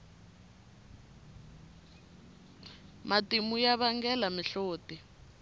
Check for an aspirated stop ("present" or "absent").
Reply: absent